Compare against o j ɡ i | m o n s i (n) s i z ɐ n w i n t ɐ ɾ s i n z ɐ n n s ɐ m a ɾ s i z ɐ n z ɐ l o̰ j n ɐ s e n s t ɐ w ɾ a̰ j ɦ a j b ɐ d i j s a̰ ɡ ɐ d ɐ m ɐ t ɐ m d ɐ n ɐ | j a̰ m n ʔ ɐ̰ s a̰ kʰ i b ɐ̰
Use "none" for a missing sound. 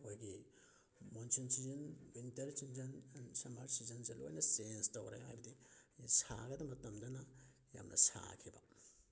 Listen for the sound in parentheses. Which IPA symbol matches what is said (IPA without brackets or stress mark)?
n